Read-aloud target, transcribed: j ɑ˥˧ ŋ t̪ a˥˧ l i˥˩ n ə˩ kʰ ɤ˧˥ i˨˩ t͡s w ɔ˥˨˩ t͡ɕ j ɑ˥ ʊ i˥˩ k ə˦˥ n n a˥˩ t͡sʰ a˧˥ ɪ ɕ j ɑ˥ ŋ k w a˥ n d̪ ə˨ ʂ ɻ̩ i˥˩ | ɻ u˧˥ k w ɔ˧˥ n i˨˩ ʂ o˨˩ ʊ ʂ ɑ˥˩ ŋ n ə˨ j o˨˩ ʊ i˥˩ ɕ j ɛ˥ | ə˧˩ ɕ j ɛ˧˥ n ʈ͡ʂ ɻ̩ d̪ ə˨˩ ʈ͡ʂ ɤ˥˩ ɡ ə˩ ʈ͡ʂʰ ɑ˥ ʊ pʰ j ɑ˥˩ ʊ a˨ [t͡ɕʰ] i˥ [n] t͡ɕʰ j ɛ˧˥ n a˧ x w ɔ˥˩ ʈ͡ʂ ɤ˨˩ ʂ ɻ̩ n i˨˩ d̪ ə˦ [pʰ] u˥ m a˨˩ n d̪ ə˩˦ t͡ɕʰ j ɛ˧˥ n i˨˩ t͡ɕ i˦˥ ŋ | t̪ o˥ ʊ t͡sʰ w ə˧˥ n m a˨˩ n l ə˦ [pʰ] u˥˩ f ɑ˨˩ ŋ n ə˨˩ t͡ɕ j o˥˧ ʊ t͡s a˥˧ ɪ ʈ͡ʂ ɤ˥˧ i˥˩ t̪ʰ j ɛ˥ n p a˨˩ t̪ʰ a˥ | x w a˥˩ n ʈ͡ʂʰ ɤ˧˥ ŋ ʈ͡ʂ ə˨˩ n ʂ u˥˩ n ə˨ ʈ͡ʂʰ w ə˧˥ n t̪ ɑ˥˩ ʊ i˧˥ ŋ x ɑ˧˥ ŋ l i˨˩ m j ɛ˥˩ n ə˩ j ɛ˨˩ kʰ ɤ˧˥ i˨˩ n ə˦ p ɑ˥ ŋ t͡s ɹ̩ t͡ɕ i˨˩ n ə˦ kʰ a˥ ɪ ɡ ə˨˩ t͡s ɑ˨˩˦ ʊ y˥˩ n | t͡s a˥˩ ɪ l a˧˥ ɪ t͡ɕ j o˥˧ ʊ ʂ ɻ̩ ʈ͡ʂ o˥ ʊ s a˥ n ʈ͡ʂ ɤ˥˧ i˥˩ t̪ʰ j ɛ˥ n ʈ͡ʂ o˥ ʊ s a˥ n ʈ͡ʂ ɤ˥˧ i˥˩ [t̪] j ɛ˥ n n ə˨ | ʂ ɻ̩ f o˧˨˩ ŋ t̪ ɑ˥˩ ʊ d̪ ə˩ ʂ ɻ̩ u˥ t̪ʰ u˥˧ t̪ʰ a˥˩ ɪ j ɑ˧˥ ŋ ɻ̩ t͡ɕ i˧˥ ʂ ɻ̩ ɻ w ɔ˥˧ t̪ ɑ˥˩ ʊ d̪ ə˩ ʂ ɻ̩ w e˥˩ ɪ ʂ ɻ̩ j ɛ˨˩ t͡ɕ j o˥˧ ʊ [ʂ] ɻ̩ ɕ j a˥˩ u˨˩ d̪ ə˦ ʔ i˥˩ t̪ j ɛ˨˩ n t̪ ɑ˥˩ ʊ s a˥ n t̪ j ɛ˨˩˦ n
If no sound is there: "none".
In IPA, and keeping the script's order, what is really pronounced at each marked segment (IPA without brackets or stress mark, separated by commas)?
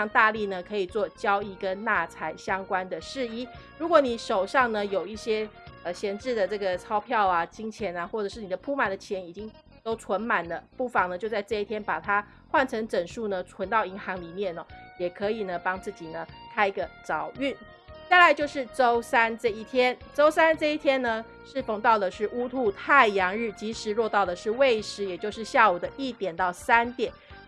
t͡ɕ, ŋ, pʰ, p, t̪ʰ, ʂ